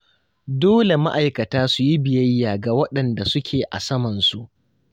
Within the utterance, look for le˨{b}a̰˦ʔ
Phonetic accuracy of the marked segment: incorrect: m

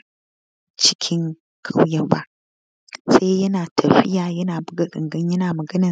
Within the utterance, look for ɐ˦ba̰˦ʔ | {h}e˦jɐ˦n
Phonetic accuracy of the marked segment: incorrect: s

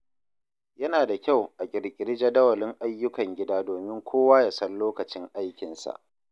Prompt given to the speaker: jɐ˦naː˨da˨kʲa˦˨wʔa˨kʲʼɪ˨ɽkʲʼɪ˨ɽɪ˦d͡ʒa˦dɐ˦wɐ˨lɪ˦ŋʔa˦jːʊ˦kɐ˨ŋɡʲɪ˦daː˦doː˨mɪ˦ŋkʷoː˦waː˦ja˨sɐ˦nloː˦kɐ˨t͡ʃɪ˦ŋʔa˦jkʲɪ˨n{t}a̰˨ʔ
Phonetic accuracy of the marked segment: incorrect: s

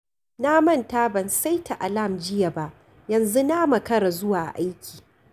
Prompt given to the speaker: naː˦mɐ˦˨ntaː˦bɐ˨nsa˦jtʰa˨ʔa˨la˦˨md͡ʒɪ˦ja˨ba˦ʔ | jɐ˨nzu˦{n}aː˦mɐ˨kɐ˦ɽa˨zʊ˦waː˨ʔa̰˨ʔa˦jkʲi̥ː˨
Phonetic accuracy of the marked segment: correct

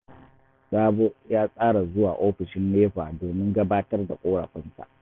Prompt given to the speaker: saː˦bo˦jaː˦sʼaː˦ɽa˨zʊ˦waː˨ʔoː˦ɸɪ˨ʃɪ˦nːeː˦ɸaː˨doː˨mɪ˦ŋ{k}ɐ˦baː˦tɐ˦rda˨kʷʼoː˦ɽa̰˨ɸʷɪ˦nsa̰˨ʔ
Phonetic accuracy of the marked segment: incorrect: ɡ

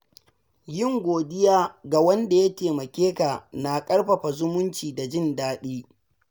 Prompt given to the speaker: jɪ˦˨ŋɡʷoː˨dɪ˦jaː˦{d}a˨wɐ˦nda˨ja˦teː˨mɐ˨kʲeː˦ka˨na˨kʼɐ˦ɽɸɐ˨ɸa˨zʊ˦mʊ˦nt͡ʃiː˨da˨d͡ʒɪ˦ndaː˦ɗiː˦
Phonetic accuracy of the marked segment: incorrect: ɡ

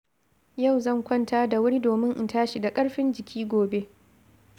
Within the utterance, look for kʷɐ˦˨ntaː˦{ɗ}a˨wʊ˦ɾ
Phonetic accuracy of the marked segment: incorrect: d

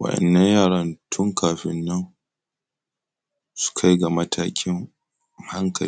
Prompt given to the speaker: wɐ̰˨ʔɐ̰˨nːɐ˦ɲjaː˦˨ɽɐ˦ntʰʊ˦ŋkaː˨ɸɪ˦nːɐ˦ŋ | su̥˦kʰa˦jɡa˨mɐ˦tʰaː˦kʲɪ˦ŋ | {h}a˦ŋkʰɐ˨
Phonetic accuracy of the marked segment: correct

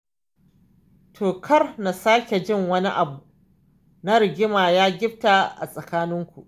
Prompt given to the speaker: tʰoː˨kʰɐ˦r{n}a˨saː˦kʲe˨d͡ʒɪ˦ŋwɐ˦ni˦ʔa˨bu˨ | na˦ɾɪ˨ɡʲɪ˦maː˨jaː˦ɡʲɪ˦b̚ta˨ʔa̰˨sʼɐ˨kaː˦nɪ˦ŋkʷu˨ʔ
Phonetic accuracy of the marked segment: correct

